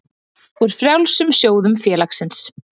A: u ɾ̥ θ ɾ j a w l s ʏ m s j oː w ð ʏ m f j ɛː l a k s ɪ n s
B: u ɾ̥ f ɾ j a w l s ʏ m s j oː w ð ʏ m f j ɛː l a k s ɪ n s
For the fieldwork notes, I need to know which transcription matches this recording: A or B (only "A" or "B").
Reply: B